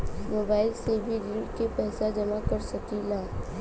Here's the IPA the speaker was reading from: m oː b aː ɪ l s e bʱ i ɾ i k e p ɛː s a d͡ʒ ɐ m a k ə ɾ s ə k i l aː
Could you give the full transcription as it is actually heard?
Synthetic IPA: m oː b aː ɪ l s e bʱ i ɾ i k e p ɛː s a d͡ʒ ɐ m a k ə ɾ s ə k i l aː

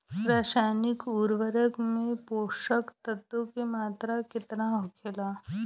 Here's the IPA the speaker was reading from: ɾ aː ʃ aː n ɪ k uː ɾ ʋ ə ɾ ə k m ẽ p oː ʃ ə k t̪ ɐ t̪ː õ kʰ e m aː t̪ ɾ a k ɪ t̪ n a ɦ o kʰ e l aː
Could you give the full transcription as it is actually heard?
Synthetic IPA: ɾ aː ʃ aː n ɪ k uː ɾ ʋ ə ɾ ə k m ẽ p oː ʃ ə k t̪ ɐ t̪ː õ k e m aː t̪ ɾ a k ɪ t̪ n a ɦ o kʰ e l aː

